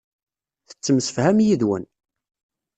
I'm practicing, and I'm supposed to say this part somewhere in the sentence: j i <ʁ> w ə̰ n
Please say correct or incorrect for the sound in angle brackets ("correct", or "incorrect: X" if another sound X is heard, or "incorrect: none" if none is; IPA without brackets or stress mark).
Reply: incorrect: ð